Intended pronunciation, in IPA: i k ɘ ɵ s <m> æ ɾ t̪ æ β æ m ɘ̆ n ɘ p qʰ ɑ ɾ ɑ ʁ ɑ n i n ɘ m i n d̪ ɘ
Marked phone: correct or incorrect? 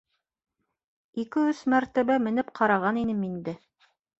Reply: correct